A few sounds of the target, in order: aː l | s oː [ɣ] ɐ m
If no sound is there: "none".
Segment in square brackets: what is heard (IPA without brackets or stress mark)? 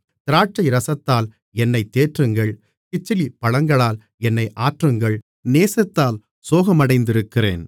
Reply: ɣ